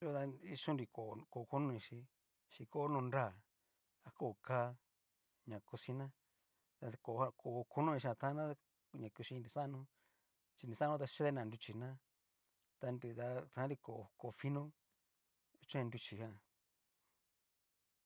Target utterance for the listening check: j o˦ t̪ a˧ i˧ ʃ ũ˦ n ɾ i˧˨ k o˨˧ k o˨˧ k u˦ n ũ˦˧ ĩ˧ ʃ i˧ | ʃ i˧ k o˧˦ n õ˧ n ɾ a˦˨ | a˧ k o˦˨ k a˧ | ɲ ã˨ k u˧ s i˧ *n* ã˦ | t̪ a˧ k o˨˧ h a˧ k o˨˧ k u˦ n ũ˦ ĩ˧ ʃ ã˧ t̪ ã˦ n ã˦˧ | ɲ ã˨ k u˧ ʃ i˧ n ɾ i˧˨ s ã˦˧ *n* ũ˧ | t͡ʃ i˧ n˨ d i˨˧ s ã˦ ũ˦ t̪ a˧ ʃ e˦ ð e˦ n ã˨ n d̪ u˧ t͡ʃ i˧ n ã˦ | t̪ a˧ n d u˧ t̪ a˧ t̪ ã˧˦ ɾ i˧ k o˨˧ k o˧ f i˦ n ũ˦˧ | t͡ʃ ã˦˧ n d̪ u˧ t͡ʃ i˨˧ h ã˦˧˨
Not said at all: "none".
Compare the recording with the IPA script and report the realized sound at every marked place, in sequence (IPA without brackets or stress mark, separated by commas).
n, n